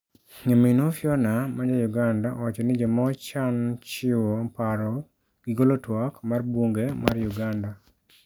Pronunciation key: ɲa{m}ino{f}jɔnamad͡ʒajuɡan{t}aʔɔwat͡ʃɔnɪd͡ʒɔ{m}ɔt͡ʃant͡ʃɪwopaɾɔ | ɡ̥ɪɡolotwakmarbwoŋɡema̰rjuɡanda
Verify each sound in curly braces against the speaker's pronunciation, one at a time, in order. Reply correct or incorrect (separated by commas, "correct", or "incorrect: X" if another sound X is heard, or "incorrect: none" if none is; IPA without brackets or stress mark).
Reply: correct, correct, incorrect: d, correct